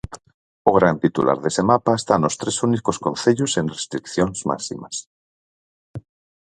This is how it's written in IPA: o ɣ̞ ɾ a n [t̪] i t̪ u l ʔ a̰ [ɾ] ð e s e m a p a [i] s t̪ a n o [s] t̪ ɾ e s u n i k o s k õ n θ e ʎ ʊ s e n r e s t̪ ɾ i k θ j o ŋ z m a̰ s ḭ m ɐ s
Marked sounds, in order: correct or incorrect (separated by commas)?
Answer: correct, correct, incorrect, correct